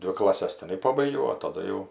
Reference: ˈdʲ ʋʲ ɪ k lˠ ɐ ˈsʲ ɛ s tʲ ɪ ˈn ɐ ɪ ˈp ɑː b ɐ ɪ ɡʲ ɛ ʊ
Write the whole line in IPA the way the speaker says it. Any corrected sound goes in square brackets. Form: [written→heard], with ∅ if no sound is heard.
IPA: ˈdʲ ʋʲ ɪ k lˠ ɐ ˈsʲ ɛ s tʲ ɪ ˈn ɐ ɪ ˈp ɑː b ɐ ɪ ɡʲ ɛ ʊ